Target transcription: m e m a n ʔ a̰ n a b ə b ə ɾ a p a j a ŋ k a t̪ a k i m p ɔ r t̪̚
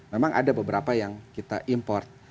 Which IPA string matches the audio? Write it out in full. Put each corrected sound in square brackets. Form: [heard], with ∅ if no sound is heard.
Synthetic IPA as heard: m e m a [ŋ] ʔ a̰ [d] a b ə b ə ɾ a p a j a ŋ k [i] t̪ a [ʔ] i m p ɔ r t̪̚